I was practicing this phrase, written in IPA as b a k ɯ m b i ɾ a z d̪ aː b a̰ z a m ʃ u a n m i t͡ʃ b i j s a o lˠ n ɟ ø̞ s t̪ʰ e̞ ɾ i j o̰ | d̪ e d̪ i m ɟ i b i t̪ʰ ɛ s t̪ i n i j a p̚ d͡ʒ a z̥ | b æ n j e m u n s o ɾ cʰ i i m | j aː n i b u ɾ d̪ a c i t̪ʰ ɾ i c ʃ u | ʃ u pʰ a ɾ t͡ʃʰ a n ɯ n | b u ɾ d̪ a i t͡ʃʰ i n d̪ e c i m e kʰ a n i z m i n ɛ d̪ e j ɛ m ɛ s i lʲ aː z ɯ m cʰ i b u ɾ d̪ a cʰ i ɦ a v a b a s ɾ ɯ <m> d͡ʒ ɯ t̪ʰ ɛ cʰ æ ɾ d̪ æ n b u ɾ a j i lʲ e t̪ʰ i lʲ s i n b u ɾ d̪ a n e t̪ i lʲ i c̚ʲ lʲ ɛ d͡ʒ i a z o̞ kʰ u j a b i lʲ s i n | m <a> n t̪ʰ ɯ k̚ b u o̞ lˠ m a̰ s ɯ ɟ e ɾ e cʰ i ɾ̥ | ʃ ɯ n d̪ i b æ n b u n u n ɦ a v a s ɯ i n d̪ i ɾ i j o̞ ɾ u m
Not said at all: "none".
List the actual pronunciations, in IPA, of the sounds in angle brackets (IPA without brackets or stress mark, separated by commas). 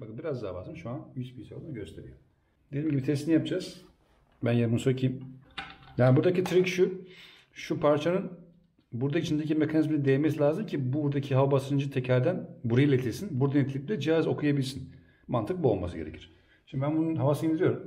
n, a